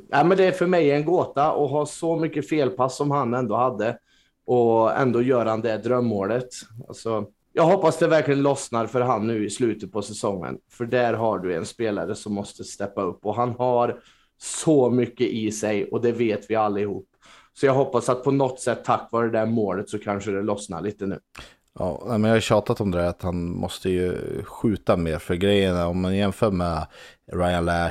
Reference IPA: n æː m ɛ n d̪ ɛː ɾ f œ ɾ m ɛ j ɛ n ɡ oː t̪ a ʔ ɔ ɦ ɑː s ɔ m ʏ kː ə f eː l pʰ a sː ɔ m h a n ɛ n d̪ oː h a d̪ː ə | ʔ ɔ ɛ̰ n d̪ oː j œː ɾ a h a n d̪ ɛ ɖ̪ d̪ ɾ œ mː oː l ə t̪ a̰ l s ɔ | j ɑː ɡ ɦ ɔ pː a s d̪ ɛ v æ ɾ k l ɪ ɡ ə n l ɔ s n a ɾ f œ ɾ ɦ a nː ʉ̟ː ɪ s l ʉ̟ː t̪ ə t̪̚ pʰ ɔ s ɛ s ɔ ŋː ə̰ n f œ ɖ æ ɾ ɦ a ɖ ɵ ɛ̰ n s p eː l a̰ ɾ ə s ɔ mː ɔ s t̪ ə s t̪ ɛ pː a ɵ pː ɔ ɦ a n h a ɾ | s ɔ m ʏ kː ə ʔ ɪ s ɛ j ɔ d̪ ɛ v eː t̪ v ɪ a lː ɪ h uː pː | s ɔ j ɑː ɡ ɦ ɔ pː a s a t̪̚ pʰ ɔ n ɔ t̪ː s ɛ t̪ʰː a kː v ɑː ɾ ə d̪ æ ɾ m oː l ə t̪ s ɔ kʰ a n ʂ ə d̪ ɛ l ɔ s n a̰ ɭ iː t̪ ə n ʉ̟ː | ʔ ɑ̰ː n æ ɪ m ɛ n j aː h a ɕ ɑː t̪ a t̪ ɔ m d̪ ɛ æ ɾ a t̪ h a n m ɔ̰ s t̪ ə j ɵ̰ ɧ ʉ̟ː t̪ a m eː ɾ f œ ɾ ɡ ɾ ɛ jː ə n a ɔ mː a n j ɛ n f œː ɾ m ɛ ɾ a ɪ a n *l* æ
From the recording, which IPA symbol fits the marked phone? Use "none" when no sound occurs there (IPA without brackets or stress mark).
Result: l